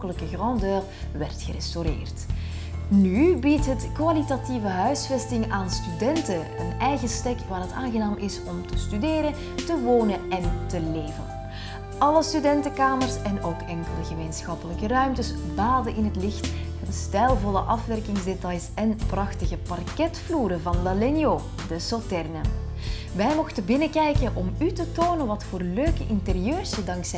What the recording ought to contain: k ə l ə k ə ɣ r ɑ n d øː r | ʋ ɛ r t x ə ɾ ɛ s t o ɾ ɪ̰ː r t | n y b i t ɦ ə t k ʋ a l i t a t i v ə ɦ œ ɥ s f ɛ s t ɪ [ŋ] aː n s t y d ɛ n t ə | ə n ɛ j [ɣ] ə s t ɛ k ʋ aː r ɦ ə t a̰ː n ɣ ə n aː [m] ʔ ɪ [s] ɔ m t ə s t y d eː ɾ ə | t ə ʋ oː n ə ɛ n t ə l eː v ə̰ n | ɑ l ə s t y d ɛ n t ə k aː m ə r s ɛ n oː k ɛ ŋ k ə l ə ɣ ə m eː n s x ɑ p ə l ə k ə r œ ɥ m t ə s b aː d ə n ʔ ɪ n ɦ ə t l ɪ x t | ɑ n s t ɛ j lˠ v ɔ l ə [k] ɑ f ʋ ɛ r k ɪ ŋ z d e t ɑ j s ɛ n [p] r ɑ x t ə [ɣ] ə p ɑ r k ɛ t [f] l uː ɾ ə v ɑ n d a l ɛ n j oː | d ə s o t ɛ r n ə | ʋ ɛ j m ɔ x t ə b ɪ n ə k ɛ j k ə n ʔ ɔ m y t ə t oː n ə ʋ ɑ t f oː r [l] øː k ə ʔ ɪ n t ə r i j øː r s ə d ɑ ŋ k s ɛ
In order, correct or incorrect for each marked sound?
correct, correct, correct, correct, incorrect, correct, correct, correct, correct

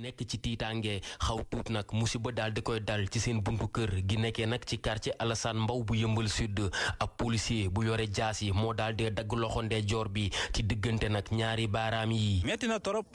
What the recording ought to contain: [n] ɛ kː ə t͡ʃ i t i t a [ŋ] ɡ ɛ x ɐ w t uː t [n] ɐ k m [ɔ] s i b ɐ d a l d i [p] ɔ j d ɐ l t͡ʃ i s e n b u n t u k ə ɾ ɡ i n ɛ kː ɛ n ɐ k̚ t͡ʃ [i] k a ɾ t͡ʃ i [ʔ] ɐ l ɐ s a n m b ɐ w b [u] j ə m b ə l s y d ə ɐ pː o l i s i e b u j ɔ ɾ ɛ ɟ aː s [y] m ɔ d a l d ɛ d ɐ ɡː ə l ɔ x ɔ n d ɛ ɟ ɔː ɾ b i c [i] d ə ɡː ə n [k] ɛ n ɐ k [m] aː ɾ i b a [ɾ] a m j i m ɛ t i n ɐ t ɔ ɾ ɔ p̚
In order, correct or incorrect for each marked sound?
correct, correct, correct, incorrect, incorrect, correct, correct, correct, incorrect, correct, incorrect, incorrect, correct

